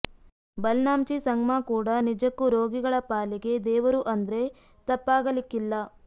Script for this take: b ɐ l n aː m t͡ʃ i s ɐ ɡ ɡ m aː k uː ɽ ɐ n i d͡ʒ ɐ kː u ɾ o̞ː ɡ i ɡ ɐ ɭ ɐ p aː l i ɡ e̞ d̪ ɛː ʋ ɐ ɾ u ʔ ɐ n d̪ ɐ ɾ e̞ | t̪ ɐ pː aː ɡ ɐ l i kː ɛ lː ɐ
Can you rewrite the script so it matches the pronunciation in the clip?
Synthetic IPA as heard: b ɐ l n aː m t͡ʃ i s ɐ ŋ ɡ m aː k uː ɽ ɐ n i d͡ʒ ɐ kː u ɾ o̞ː ɡ i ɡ ɐ ɭ ɐ p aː l i ɡ e̞ d̪ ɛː ʋ ɐ ɾ u ʔ ɐ n d̪ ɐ ɾ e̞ | t̪ ɐ pː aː ɡ ɐ l i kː i lː ɐ